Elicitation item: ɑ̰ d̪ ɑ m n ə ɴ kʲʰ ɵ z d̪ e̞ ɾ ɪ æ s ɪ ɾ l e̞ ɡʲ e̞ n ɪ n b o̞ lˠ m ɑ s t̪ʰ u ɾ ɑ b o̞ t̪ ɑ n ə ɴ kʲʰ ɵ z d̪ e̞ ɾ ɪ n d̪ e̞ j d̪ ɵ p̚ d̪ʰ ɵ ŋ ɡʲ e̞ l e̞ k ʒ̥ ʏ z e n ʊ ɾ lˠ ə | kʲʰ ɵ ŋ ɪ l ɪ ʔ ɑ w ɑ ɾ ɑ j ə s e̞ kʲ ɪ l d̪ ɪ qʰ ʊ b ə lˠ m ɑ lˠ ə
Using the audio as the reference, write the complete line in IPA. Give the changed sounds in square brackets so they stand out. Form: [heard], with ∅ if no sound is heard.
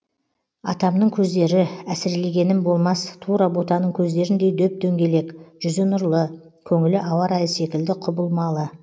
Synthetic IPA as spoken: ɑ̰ [t̪] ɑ m n ə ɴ kʲʰ ɵ z d̪ e̞ ɾ ɪ æ s ɪ ɾ l e̞ ɡʲ e̞ n ɪ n b o̞ lˠ m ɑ s t̪ʰ u ɾ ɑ b o̞ t̪ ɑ n ə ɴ kʲʰ ɵ z d̪ e̞ ɾ ɪ n d̪ e̞ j d̪ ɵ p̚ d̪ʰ ɵ ŋ ɡʲ e̞ l e̞ k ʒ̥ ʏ z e n ʊ ɾ lˠ ə | kʲʰ ɵ ŋ ɪ l ɪ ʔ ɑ w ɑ ɾ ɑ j ə s e̞ kʲ ɪ l d̪ ɪ qʰ ʊ b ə lˠ m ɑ lˠ ə